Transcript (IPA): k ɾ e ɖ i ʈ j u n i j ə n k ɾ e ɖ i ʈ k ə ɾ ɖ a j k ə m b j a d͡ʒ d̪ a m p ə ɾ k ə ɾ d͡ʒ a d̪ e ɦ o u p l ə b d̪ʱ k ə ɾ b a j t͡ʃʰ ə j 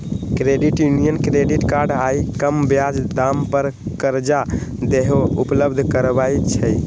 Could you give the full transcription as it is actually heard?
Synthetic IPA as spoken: k ɾ e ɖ i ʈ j u n i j ə n k ɾ e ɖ i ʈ k a ɾ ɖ a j k ə m b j a d͡ʒ d̪ a m p ə ɾ k ə ɾ d͡ʒ a d̪ e ɦ o u p l ə b d̪ʱ k ə ɾ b a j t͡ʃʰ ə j